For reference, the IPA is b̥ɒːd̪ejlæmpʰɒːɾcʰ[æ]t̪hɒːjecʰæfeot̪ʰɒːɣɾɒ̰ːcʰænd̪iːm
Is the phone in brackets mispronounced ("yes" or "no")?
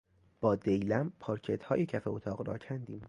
yes